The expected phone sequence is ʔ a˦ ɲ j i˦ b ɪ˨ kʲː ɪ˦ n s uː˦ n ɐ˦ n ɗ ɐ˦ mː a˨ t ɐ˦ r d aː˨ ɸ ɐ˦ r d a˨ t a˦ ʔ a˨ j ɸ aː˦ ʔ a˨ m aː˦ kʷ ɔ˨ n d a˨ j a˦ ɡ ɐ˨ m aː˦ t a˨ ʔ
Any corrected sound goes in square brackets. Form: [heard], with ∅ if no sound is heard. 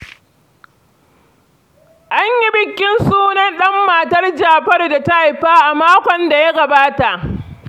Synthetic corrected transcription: ʔ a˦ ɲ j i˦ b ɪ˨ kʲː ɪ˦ n s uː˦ n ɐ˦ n ɗ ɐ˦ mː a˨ t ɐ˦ r [d͡ʒ] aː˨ ɸ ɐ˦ r d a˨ t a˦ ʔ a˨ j ɸ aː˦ ʔ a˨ m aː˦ kʷ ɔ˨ n d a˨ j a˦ ɡ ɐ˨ [b] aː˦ t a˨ ʔ